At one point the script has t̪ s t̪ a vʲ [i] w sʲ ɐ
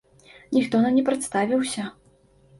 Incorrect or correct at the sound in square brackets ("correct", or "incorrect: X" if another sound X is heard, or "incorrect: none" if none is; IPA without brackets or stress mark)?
correct